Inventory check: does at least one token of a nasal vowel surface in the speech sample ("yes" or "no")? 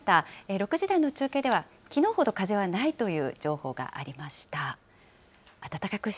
no